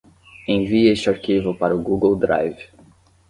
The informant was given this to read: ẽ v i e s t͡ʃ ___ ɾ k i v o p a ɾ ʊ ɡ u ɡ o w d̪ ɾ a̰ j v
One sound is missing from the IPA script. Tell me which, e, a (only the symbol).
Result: a